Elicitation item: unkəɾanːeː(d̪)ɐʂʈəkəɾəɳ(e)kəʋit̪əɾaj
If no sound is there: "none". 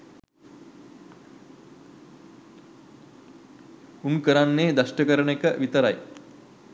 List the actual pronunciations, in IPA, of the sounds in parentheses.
d̪, e

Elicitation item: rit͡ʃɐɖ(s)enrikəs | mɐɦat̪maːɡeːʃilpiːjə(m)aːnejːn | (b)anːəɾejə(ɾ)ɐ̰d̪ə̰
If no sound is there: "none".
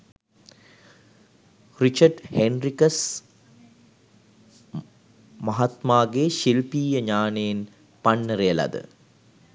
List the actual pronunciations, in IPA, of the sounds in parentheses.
h, ɲ, p, l

